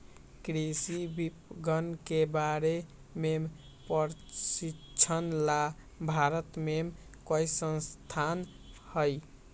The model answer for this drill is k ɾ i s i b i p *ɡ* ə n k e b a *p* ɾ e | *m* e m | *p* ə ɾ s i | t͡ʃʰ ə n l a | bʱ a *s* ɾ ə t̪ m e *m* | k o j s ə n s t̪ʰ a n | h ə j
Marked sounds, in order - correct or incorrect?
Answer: correct, incorrect, correct, correct, incorrect, correct

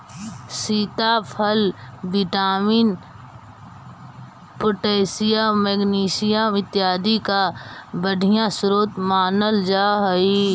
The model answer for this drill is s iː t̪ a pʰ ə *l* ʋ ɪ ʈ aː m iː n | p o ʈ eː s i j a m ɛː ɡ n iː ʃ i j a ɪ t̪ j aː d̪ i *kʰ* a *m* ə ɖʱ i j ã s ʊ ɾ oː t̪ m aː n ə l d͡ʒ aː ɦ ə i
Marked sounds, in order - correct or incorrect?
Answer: correct, incorrect, incorrect

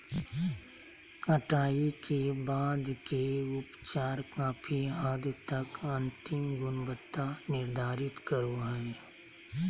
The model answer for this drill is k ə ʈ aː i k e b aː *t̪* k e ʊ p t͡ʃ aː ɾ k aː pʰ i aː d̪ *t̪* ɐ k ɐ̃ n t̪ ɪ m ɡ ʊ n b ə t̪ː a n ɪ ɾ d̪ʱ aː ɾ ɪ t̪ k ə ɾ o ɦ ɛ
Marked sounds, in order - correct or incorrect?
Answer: incorrect, correct

